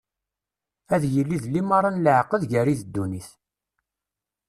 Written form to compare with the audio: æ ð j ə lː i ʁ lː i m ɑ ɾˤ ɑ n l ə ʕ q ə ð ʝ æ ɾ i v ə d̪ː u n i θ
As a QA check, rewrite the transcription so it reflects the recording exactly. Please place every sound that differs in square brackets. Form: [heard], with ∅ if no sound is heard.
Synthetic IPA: æ ð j ə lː i [ð] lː i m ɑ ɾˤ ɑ n l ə ʕ q ə ð ʝ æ ɾ i [ð] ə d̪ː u n i θ